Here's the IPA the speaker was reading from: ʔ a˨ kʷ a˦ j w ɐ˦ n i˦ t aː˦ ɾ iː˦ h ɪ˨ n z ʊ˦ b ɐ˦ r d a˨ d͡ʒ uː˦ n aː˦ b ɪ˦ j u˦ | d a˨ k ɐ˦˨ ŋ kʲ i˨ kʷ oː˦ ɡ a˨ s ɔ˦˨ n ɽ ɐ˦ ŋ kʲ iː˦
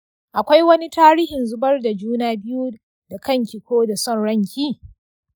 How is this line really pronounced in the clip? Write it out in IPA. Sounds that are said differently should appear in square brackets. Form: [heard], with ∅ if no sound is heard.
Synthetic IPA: ʔ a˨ kʷ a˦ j w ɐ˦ n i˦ t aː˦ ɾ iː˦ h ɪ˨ n z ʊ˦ b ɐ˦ r d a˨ d͡ʒ uː˦ n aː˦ b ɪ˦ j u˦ | d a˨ k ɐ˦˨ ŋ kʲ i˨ kʷ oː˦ [d] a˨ s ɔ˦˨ n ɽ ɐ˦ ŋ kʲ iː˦

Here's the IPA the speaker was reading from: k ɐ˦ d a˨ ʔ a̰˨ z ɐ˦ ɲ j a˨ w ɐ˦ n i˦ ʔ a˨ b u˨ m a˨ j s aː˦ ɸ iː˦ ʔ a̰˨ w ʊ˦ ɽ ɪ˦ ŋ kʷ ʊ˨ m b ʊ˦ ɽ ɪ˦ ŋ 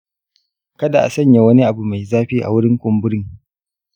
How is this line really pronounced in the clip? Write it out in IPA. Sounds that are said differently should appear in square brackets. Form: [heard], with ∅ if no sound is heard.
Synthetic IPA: k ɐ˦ d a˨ ʔ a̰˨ [s] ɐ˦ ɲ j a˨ w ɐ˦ n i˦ ʔ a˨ b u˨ m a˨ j [z] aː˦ ɸ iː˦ ʔ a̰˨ w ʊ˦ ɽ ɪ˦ ŋ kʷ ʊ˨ m b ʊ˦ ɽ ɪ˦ ŋ

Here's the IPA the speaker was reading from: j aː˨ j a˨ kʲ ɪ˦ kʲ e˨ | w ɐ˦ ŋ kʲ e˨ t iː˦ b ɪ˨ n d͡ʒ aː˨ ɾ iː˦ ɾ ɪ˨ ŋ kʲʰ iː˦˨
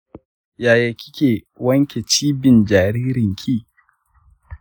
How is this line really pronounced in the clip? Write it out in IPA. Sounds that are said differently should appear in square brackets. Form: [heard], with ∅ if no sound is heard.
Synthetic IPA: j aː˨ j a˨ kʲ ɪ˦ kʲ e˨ | w ɐ˦ ŋ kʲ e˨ [t͡ʃ] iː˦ b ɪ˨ n d͡ʒ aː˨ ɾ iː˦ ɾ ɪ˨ ŋ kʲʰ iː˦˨

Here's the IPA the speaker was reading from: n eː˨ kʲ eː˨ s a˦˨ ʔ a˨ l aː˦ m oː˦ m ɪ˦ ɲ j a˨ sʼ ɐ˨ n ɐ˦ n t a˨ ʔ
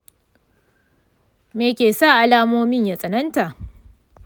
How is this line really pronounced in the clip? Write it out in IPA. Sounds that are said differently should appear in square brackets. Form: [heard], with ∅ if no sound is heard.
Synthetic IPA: [m] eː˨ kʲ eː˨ s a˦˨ ʔ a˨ l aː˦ m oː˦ m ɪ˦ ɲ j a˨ sʼ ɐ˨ n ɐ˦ n t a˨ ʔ

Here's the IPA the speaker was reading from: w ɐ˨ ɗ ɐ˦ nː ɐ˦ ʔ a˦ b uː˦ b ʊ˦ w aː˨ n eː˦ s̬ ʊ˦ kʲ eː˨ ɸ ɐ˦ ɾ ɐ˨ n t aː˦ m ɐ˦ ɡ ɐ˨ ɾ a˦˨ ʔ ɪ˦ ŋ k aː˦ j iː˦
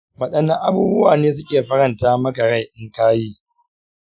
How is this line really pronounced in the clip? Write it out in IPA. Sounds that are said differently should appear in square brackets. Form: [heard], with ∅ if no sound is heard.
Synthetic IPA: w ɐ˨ ɗ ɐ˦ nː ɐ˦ ʔ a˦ b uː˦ b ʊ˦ w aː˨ n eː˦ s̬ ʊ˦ kʲ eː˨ ɸ ɐ˦ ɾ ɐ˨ n t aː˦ m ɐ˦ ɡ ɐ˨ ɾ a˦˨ ʔ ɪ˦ ŋ k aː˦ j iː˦

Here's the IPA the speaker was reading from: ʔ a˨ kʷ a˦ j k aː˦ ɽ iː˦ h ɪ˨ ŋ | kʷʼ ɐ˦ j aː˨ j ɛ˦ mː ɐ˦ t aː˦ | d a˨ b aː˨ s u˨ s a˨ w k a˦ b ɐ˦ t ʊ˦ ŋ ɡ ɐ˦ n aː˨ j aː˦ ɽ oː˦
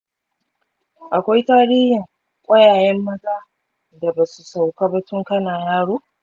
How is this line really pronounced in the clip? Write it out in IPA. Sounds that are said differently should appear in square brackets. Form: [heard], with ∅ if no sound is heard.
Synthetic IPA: ʔ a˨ kʷ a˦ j [t] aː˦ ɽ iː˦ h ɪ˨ ŋ | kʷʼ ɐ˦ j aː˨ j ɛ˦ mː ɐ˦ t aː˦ | d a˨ b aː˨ s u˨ s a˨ w k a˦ b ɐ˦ t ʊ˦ ŋ [k] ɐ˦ n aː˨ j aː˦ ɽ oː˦

